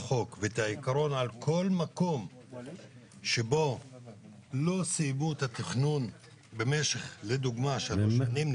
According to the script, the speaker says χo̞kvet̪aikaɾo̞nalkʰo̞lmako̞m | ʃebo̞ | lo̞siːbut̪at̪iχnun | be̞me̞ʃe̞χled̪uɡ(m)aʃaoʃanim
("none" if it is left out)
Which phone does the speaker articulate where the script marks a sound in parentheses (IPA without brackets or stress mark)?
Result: m